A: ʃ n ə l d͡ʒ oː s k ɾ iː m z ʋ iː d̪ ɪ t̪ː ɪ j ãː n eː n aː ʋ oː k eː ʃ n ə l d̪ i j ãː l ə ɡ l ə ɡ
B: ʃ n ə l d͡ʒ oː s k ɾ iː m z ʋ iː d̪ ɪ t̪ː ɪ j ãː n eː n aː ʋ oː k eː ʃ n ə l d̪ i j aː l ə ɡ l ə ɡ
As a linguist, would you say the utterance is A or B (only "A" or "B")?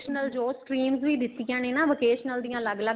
A